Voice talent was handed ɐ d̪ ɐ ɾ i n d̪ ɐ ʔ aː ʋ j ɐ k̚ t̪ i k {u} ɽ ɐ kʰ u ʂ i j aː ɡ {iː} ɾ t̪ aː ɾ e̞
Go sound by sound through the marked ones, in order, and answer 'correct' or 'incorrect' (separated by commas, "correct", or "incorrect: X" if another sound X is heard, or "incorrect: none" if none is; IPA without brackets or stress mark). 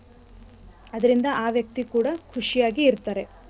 incorrect: uː, correct